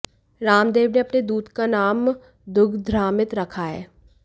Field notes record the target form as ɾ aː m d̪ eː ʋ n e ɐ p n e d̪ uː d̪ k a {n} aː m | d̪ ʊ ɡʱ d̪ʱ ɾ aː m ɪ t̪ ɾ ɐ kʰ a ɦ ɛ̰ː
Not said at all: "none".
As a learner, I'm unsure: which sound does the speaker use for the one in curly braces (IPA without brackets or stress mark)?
n